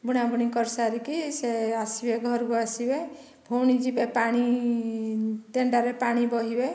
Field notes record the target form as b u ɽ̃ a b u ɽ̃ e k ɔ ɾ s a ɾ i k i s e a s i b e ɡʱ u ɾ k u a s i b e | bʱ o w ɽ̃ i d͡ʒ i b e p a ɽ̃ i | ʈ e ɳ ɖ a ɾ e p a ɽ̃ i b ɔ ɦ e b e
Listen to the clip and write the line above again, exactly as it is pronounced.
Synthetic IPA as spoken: b u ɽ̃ a b u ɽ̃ i k ɔ ɾ s a ɾ i k i s e a s i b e ɡʱ ɔ ɾ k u a s i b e | bʱ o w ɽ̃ i d͡ʒ i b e p a ɽ̃ i | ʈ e ɳ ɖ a ɾ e p a ɽ̃ i b ɔ ɦ i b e